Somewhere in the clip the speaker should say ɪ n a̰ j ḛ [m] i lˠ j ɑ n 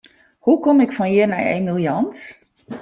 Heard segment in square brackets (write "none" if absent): m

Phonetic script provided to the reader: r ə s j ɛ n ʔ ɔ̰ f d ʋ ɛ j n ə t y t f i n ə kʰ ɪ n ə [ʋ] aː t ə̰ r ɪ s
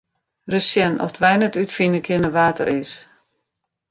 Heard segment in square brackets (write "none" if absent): ʋ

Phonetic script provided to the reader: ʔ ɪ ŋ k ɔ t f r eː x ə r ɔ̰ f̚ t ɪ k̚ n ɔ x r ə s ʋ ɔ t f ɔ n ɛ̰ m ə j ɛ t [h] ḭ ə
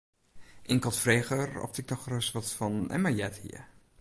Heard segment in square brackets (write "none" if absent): h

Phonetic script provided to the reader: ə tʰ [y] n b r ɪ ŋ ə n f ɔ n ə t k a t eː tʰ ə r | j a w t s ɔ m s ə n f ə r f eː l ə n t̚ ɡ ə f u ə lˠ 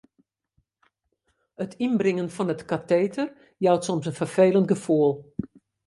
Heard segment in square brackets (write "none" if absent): i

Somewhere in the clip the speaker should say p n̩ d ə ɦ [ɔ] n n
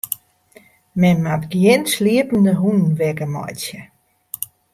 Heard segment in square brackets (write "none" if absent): u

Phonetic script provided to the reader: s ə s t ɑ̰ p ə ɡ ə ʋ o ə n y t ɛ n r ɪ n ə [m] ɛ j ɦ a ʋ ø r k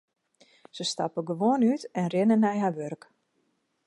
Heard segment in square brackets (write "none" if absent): n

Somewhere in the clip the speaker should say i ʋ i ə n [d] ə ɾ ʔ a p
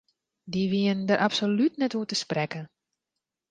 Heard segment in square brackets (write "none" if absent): d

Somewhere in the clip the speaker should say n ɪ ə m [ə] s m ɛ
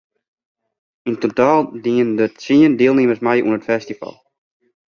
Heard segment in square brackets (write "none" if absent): ə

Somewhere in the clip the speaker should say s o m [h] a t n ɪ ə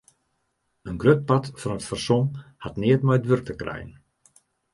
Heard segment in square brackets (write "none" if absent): h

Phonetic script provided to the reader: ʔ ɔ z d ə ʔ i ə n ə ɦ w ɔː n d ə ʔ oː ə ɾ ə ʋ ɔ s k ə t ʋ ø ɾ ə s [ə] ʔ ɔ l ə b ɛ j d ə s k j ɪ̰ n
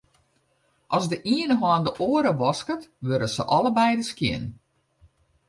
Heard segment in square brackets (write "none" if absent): ə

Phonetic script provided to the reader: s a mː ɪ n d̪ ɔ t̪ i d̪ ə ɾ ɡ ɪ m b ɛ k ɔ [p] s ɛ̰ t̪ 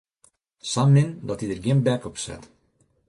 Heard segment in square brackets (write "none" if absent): p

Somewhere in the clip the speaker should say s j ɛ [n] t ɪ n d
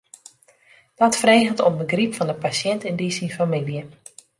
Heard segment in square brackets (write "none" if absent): n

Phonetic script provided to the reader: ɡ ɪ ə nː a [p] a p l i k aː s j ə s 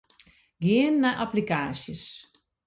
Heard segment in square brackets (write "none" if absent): ʔ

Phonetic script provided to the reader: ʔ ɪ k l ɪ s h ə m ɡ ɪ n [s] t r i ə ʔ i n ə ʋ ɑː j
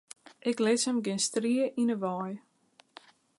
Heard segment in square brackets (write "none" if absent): s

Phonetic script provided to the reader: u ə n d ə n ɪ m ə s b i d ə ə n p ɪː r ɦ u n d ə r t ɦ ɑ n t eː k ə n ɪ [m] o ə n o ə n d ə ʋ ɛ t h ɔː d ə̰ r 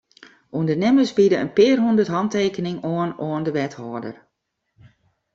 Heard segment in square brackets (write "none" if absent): ŋ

